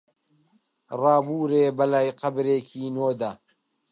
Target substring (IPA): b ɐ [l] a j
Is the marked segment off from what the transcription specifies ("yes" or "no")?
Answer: no